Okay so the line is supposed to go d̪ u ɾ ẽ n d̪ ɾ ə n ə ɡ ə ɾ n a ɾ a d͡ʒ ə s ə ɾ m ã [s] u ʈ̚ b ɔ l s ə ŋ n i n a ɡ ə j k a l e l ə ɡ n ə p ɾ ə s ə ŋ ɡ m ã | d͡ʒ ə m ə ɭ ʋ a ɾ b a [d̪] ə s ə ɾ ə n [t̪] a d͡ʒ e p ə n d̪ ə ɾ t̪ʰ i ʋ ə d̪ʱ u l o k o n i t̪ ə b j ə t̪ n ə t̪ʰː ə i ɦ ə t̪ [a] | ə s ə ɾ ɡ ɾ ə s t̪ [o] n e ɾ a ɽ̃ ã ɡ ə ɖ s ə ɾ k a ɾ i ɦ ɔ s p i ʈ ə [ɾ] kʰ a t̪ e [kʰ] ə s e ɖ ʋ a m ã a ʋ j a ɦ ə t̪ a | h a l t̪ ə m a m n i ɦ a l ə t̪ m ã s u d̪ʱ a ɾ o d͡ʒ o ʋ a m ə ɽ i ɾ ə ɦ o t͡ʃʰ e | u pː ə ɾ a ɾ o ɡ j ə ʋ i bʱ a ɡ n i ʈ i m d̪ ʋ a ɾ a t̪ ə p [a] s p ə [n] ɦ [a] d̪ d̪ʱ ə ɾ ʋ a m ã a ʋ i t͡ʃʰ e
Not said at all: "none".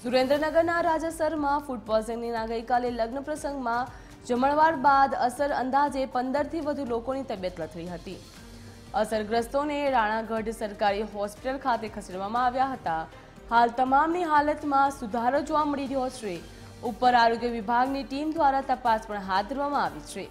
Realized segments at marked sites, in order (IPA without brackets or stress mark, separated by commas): f, d̪, d̪, i, o, l, kʰ, a, ɳ, a